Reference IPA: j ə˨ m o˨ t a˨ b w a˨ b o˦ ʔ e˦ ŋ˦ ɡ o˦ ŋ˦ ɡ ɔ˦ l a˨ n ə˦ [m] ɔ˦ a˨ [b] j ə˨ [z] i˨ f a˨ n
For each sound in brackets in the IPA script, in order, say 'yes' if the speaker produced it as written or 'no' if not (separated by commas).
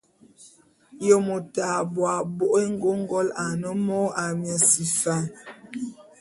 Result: yes, no, no